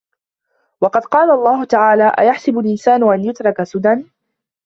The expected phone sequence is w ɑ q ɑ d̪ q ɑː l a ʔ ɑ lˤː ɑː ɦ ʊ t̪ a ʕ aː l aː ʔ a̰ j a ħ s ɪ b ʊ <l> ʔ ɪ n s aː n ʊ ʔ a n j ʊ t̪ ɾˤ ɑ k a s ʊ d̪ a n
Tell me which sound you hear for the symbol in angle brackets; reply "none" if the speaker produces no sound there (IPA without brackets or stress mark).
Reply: l